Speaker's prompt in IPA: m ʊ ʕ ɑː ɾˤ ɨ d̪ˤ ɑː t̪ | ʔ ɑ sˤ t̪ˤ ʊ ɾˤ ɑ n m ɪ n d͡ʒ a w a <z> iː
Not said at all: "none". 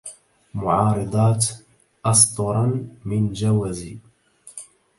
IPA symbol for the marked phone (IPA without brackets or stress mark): z